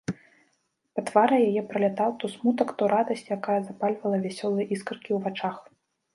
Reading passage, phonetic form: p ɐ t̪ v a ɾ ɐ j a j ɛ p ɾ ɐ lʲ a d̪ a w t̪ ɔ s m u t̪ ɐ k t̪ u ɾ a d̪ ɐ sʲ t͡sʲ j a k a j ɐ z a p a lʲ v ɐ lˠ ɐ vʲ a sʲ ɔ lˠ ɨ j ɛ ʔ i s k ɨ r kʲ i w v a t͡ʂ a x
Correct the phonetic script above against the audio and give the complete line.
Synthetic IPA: p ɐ t̪ v a ɾ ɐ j a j ɛ p ɾ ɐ lʲ a t̪ a w t̪ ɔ s m u t̪ ɐ k t̪ ɔ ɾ a d̪ ɐ sʲ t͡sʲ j a k a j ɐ z a p a lʲ v ɐ lˠ ɐ vʲ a sʲ ɔ lˠ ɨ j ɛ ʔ i s k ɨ r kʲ i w v a t͡ʂ a x

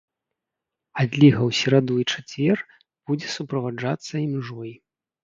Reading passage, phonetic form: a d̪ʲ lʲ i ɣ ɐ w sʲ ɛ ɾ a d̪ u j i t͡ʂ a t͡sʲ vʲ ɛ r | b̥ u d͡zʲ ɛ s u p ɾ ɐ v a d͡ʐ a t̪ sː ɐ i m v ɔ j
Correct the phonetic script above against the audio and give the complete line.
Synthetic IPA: a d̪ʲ lʲ i ɣ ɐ w sʲ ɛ ɾ a d̪ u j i t͡ʂ a t͡sʲ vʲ ɛ r | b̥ u d͡zʲ ɛ s u p ɾ ɐ v a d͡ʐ a t̪ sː ɐ i m ʐ ɔ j

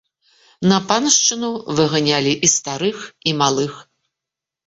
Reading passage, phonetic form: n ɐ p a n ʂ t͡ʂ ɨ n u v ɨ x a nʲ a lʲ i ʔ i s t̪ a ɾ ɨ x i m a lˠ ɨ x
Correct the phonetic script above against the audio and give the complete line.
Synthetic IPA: n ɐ p a n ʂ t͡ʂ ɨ n u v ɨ ɣ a nʲ a lʲ i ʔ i s t̪ a ɾ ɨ x i m a lˠ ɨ x

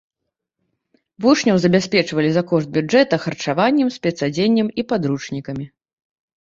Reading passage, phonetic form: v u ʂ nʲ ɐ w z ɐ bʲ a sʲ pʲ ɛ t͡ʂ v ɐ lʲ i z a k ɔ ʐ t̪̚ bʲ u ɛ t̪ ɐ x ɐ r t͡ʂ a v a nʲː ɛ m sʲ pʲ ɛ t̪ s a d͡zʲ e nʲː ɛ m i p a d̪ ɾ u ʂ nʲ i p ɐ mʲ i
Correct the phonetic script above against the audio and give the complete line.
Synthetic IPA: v u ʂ nʲ ɐ w z ɐ bʲ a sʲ pʲ ɛ t͡ʂ v ɐ lʲ i z a k ɔ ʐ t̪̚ bʲ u ɛ t̪ ɐ x ɐ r t͡ʂ a v a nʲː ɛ m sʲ pʲ ɛ t̪ s a d͡zʲ e nʲː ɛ m i p a d̪ ɾ u t͡ʂ nʲ i k ɐ mʲ i

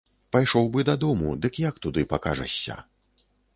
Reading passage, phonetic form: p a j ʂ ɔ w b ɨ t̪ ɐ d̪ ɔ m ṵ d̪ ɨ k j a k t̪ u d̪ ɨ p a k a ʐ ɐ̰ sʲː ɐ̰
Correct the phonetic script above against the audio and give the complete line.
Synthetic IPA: p a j ʂ ɔ w b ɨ d̪ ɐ d̪ ɔ m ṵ d̪ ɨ k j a k t̪ u d̪ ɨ p a k a ʐ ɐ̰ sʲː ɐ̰

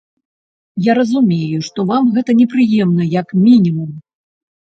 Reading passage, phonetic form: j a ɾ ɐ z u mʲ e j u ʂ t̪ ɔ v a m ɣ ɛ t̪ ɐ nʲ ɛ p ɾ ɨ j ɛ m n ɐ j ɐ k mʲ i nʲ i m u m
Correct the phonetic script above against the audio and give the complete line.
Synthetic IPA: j a ɾ ɐ z u mʲ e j u ʂ t̪ ɔ v a m ɣ ɛ t̪ ɐ nʲ ɛ p ɾ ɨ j ɛ m n ɐ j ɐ k mʲ i nʲ i m u m

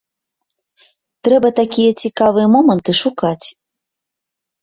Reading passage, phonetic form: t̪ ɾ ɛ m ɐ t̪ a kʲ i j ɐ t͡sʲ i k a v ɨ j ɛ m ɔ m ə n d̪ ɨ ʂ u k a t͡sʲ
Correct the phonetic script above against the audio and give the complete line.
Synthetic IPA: t̪ ɾ ɛ b ɐ t̪ a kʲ i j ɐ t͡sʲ i k a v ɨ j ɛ m ɔ m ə n t̪ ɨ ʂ u k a t͡sʲ

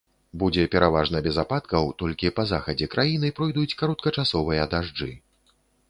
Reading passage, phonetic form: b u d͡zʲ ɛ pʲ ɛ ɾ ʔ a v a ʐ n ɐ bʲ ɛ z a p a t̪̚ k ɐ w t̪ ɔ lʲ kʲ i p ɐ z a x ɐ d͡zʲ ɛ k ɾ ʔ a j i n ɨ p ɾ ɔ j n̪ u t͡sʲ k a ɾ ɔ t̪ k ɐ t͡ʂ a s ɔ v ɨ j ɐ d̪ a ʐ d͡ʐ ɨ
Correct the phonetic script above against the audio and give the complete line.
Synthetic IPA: b u d͡zʲ ɛ pʲ ɛ ɾ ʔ a v a ʐ n ɐ bʲ ɛ z a p a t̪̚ k ɐ w t̪ ɔ lʲ kʲ i p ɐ z a x ɐ d͡zʲ ɛ k ɾ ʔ a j i n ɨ p ɾ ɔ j d̪ u t͡sʲ k a ɾ ɔ t̪ k ɐ t͡ʂ a s ɔ v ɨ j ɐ d̪ a ʐ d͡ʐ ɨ

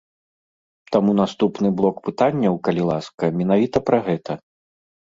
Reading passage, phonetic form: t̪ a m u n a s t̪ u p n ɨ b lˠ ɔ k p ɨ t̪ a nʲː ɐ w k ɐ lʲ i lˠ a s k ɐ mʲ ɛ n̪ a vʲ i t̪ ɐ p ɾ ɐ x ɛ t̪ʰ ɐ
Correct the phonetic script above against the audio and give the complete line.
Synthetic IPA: t̪ a m u n a s t̪ u p n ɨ b lˠ ɔ k p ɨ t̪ a nʲː ɐ w k ɐ lʲ i lˠ a s k ɐ mʲ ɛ n̪ a vʲ i t̪ ɐ p ɾ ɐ ɣ ɛ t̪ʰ ɐ

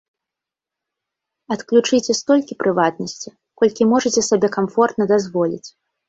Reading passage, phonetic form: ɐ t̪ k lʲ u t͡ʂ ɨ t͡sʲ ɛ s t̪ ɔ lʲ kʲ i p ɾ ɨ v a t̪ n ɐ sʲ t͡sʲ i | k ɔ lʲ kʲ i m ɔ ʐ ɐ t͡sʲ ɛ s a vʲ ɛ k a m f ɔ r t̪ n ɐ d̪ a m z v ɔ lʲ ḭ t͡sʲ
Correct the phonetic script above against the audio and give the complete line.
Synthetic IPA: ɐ t̪ k lʲ u t͡ʂ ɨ t͡sʲ ɛ s t̪ ɔ lʲ kʲ i p ɾ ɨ v a t̪ n ɐ sʲ t͡sʲ i | k ɔ lʲ kʲ i m ɔ ʐ ɐ t͡sʲ ɛ s a bʲ ɛ k a m f ɔ r t̪ n ɐ d̪ a z v ɔ lʲ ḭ t͡sʲ

